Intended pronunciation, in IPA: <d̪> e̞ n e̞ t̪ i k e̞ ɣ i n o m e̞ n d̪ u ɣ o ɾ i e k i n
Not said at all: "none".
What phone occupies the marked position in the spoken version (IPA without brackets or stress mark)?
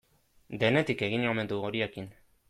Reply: d̪